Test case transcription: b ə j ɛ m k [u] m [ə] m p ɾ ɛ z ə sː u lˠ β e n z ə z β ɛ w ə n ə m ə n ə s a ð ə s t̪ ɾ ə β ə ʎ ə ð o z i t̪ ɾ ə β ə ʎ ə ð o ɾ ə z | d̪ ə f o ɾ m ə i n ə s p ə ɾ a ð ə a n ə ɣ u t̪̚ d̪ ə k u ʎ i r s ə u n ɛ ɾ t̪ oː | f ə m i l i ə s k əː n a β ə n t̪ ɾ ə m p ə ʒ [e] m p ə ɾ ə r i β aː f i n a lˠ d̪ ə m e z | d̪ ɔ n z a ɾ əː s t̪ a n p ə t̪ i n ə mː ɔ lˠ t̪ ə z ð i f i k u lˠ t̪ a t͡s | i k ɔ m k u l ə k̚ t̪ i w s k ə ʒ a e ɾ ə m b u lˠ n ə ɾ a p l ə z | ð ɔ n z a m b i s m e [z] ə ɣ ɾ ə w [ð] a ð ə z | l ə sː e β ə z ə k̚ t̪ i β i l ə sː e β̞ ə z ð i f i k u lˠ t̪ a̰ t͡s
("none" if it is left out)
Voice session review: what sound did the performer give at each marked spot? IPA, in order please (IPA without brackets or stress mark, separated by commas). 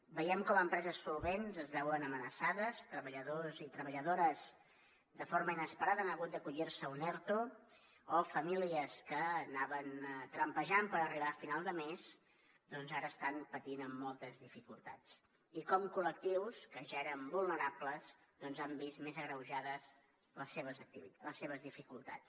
ɔ, ə, a, z, ʒ